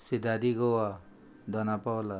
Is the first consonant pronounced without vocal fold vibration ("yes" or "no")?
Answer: yes